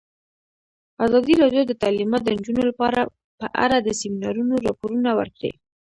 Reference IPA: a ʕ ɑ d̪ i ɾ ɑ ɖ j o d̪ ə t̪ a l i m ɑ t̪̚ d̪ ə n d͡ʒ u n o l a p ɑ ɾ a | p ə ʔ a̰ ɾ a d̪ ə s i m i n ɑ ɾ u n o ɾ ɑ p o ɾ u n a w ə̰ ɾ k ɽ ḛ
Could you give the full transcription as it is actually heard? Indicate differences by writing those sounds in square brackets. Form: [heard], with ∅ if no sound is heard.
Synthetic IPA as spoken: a [z] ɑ d̪ i ɾ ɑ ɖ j o d̪ ə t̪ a l i m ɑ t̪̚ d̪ ə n d͡ʒ u n o l a p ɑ ɾ a | p ə ʔ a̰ ɾ a d̪ ə s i m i n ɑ ɾ u n o ɾ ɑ p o ɾ u n a w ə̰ ɾ k ɽ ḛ